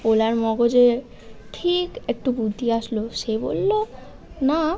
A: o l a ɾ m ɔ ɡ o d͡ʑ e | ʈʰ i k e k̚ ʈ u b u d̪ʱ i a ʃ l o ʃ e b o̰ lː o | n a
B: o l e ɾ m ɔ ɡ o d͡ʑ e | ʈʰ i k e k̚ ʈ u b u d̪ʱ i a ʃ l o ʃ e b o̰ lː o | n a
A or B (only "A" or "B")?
A